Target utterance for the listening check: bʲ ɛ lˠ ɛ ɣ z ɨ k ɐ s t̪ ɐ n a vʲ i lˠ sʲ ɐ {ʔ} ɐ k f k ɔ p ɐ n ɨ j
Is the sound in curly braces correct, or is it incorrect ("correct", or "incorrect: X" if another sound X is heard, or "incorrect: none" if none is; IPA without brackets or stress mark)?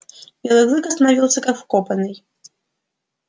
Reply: incorrect: k